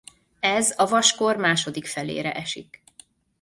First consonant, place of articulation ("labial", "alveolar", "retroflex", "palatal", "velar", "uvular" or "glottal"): alveolar